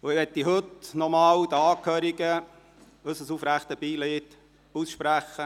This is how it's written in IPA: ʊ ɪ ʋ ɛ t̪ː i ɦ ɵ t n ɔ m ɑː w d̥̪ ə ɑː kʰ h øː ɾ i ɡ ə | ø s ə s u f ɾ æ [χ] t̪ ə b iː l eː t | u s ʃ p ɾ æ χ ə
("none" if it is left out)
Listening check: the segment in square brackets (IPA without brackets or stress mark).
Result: χ